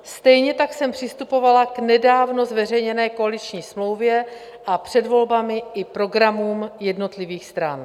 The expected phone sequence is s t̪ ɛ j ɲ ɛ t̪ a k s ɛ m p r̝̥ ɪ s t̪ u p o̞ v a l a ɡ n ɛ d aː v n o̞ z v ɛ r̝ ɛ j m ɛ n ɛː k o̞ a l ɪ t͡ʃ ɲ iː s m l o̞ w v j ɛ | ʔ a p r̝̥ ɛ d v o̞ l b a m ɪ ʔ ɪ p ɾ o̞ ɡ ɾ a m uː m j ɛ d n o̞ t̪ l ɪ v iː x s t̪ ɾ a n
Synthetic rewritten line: s t̪ ɛ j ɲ ɛ t̪ a k s ɛ m p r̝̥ ɪ s t̪ u p o̞ v a l a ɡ n ɛ d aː v n o̞ z v ɛ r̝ ɛ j ɲ ɛ n ɛː k o̞ a l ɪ t͡ʃ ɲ iː s m l o̞ w v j ɛ | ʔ a p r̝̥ ɛ d v o̞ l b a m ɪ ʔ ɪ p ɾ o̞ ɡ ɾ a m uː m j ɛ d n o̞ t̪ l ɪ v iː x s t̪ ɾ a n

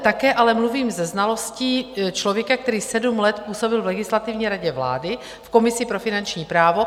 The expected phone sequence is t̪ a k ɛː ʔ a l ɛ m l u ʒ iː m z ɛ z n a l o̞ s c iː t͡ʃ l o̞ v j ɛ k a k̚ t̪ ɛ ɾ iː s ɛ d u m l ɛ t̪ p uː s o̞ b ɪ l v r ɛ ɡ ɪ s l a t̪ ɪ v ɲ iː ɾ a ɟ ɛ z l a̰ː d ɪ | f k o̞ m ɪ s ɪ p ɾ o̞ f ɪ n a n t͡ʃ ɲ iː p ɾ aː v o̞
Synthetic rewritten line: t̪ a k ɛː ʔ a l ɛ m l u v iː m z ɛ z n a l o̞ s c iː t͡ʃ l o̞ v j ɛ k a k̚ t̪ ɛ ɾ iː s ɛ d u m l ɛ t̪ p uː s o̞ b ɪ l v l ɛ ɡ ɪ s l a t̪ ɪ v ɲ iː ɾ a ɟ ɛ v l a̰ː d ɪ | f k o̞ m ɪ s ɪ p ɾ o̞ f ɪ n a n t͡ʃ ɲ iː p ɾ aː v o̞

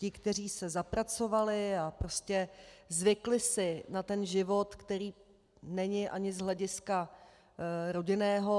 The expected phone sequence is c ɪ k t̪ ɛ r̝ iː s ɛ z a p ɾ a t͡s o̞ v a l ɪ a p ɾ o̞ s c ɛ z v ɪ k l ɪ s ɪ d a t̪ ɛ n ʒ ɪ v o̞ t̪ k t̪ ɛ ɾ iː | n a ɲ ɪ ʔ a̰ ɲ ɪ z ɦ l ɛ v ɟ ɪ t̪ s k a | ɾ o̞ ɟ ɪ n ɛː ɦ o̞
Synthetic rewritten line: c ɪ k t̪ ɛ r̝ iː s ɛ z a p ɾ a t͡s o̞ v a l ɪ a p ɾ o̞ s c ɛ z v ɪ k l ɪ s ɪ n a t̪ ɛ n ʒ ɪ v o̞ t̪ k t̪ ɛ ɾ iː | n ɛ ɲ ɪ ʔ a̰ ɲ ɪ z ɦ l ɛ ɟ ɪ s k a | ɾ o̞ ɟ ɪ n ɛː ɦ o̞

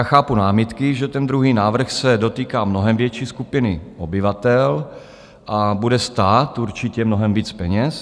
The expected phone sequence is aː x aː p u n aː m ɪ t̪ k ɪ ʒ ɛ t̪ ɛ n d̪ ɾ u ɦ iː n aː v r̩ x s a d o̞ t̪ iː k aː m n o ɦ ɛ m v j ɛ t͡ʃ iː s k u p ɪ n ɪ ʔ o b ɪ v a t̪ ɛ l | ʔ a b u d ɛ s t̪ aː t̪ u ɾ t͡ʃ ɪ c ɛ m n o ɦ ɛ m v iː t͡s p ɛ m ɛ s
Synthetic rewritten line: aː x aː p u n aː m ɪ t̪ k ɪ ʒ ɛ t̪ ɛ n d̪ ɾ u ɦ iː n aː v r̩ x s ɛ d o̞ t̪ iː k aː m n o ɦ ɛ m v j ɛ t͡ʃ iː s k u p ɪ n ɪ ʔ o b ɪ v a t̪ ɛ l | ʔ a b u d ɛ s t̪ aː t̪ u ɾ t͡ʃ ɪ c ɛ m n o ɦ ɛ m v iː t͡s p ɛ ɲ ɛ s

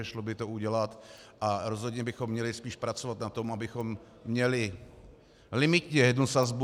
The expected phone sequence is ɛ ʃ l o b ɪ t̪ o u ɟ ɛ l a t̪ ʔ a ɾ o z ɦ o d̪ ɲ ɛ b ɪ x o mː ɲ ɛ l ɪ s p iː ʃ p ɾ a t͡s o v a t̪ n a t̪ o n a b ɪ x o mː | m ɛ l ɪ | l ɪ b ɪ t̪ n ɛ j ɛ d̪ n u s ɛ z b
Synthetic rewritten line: ɛ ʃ l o b ɪ t̪ o u ɟ ɛ l a t̪ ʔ a ɾ o z ɦ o d̪ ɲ ɛ b ɪ x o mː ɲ ɛ l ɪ s p iː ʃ p ɾ a t͡s o v a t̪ n a t̪ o m a b ɪ x o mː | ɲ ɛ l ɪ | l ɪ m ɪ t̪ ɲ ɛ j ɛ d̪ n u s a z b

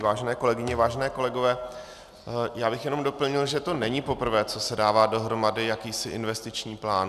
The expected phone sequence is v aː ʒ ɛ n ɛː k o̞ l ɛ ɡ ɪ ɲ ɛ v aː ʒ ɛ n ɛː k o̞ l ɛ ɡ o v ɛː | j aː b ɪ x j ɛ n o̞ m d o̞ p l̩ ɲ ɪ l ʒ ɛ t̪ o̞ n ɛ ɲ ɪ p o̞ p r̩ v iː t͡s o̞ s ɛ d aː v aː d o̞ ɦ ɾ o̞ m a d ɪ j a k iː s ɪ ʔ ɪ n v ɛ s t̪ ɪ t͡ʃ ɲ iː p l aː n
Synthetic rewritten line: v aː ʒ ɛ n ɛː k o̞ l ɛ ɡ ɪ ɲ ɛ v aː ʒ ɛ n ɛː k o̞ l ɛ ɡ o v ɛː | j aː b ɪ x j ɛ n o̞ m d o̞ p l̩ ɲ ɪ l ʒ ɛ t̪ o̞ n ɛ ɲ ɪ p o̞ p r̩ v ɛː t͡s o̞ s ɛ d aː v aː d o̞ ɦ ɾ o̞ m a d ɪ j a k iː s ɪ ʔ ɪ n v ɛ s t̪ ɪ t͡ʃ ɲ iː p l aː n

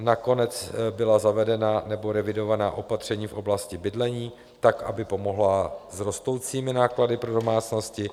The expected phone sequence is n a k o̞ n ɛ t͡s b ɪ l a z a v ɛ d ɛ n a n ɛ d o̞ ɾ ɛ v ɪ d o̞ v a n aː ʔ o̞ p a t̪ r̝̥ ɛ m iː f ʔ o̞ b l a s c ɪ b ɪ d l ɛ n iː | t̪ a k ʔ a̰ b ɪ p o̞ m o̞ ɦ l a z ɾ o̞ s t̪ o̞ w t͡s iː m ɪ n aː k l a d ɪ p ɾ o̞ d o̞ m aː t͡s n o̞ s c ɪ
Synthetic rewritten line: n a k o̞ n ɛ t͡s b ɪ l a z a v ɛ d ɛ n a n ɛ b o̞ ɾ ɛ v ɪ d o̞ v a n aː ʔ o̞ p a t̪ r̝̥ ɛ ɲ iː f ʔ o̞ b l a s c ɪ b ɪ d l ɛ ɲ iː | t̪ a k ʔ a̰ b ɪ p o̞ m o̞ ɦ l a z ɾ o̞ s t̪ o̞ w t͡s iː m ɪ n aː k l a d ɪ p ɾ o̞ d o̞ m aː t͡s n o̞ s c ɪ

